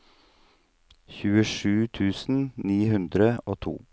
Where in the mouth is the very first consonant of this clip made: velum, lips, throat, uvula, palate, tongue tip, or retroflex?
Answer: palate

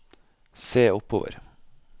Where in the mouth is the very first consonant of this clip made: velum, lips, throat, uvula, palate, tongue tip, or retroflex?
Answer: tongue tip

